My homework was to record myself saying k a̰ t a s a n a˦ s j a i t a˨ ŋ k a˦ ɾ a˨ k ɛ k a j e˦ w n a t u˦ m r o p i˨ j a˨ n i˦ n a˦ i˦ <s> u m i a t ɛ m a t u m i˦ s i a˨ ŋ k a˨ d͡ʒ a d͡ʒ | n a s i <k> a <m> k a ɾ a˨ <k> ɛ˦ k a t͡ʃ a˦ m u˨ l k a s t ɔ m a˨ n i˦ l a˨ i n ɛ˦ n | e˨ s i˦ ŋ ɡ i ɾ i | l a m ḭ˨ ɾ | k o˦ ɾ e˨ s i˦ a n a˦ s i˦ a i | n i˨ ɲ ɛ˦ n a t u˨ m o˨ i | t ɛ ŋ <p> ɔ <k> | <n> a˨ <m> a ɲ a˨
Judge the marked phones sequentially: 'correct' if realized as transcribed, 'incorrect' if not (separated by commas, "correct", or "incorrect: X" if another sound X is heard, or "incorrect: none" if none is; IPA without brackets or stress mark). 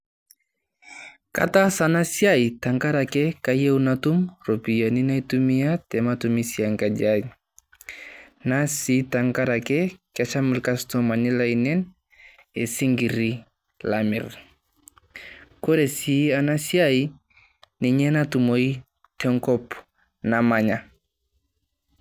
incorrect: t, incorrect: t, incorrect: ŋ, correct, incorrect: k, incorrect: p, correct, correct